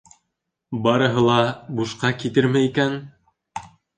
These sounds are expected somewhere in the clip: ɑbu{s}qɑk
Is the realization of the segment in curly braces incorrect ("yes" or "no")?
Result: yes